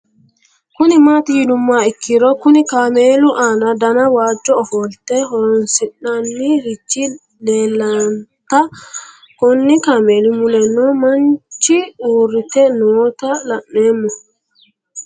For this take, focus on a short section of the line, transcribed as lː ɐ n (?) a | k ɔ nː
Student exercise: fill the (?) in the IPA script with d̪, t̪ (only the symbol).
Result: t̪